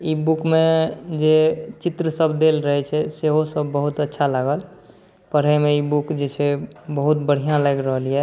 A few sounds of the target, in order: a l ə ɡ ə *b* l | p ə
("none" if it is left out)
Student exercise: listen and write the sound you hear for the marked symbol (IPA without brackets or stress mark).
none